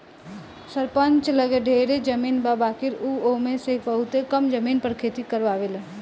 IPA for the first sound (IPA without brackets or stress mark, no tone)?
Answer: s